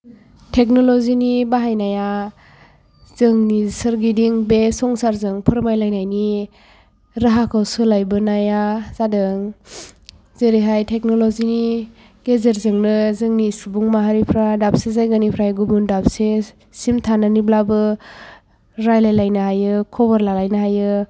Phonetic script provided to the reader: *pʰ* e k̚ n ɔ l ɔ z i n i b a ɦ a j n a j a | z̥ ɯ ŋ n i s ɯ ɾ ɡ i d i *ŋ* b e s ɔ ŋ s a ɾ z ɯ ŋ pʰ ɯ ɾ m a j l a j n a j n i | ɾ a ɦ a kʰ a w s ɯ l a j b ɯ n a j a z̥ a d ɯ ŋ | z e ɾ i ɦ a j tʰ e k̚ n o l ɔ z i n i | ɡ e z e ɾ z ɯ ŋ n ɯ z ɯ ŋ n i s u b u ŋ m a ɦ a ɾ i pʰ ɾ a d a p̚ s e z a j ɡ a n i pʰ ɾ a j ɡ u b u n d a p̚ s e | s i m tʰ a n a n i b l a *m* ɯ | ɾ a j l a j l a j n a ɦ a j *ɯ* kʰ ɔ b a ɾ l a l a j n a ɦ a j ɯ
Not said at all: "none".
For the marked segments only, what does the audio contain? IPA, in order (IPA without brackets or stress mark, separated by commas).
tʰ, ŋ, b, ɯ